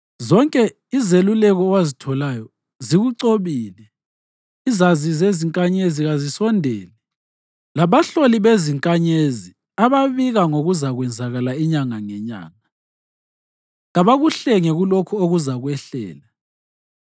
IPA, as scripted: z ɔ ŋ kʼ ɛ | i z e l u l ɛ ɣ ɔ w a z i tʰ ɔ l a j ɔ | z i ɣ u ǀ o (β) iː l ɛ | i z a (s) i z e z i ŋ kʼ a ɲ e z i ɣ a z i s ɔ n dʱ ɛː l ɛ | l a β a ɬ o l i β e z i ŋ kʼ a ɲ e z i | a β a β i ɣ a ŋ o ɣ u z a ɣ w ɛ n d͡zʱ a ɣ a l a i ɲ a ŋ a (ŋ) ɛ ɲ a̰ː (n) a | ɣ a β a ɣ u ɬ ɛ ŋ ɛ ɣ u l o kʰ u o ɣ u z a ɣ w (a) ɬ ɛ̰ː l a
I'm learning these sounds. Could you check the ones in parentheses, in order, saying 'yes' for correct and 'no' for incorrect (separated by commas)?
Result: yes, no, yes, no, no